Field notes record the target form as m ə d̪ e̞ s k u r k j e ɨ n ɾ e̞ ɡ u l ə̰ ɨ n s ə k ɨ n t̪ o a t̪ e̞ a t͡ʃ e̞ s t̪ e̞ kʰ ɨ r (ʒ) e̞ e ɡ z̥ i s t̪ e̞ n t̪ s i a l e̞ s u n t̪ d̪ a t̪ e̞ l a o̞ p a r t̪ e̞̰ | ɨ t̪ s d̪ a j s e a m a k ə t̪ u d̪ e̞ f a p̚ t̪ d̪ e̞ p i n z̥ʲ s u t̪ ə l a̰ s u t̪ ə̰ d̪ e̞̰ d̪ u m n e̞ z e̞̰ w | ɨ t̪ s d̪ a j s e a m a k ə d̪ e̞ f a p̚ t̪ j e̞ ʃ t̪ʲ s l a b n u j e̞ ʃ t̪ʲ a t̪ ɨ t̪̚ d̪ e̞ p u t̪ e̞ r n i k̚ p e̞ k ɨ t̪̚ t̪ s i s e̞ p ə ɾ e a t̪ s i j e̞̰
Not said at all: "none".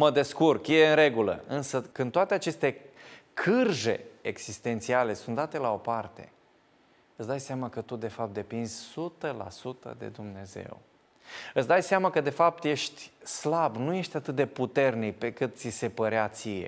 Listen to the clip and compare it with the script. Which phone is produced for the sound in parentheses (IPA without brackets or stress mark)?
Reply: ʒ